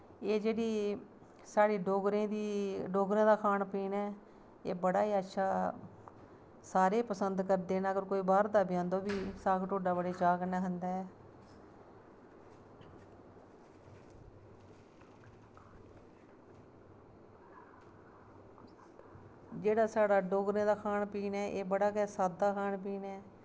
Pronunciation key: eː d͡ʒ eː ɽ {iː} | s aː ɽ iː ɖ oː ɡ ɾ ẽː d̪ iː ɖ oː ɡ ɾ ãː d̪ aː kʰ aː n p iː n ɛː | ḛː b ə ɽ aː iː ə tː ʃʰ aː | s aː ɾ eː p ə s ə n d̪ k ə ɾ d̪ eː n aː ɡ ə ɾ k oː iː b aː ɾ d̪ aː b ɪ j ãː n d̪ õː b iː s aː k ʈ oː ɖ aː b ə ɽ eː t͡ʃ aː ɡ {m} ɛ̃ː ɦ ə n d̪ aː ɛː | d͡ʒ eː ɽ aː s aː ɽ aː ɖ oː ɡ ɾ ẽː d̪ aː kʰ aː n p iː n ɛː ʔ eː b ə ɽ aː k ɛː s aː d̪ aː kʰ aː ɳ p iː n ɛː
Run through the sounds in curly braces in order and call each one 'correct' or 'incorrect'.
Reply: correct, incorrect: n

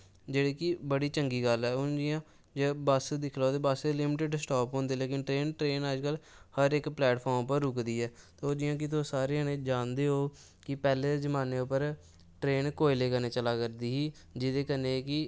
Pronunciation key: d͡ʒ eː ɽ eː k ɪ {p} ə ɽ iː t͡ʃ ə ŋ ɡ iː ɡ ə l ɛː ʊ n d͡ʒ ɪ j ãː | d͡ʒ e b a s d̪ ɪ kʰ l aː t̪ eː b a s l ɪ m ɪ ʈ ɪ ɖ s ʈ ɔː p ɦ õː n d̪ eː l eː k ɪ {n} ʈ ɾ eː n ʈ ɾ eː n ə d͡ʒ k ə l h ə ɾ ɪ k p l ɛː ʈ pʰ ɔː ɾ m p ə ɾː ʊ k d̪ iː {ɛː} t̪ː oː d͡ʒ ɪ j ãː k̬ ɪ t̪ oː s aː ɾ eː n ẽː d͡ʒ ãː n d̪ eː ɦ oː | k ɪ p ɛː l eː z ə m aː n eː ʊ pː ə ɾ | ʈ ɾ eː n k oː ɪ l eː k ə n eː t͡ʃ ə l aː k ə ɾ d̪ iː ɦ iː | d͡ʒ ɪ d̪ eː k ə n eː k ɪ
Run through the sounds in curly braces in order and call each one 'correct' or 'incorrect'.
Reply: incorrect: b, correct, correct

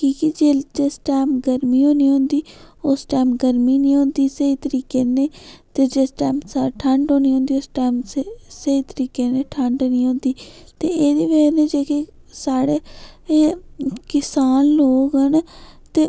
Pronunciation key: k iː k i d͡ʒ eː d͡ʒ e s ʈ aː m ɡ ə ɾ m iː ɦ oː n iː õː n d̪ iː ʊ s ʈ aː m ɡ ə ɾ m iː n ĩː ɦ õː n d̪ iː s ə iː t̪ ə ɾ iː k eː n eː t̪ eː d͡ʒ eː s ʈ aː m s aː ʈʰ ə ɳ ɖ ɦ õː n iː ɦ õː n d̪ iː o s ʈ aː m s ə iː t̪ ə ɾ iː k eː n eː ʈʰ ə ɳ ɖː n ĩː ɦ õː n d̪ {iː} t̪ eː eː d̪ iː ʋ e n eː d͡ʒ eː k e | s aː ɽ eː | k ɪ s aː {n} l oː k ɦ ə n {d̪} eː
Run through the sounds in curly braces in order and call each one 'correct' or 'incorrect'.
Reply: correct, correct, incorrect: t̪

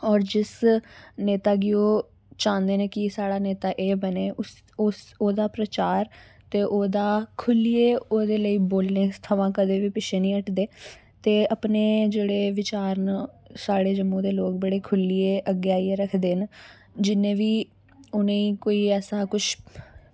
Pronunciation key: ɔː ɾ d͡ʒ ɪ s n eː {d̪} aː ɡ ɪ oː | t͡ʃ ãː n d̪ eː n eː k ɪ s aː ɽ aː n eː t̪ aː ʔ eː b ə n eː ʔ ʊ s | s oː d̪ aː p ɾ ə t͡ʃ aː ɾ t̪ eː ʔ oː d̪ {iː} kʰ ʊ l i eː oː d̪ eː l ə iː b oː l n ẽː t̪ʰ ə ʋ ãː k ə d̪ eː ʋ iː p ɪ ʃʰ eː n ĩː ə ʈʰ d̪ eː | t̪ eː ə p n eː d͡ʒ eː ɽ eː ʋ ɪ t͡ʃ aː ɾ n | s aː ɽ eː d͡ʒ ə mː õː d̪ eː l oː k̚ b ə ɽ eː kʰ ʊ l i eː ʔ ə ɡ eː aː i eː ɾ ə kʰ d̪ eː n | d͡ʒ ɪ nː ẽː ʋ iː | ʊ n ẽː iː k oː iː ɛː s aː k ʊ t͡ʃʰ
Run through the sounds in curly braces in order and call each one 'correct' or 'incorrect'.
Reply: incorrect: t̪, incorrect: aː

